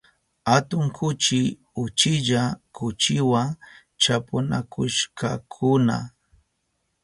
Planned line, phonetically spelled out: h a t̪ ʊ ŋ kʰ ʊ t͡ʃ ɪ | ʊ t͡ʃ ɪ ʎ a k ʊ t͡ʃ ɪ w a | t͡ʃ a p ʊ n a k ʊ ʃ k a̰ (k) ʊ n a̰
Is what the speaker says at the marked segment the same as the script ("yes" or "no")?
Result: no